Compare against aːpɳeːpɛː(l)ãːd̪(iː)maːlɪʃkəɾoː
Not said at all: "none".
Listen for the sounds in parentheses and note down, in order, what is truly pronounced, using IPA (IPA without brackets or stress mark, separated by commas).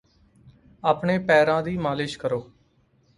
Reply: ɾ, iː